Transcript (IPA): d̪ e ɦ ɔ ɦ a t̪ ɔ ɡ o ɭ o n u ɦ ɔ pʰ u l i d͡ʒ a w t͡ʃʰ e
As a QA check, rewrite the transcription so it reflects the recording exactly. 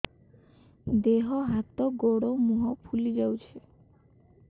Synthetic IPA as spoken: d̪ e ɦ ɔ ɦ a t̪ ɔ ɡ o ɽ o m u ɦ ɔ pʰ u l i d͡ʒ a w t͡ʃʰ e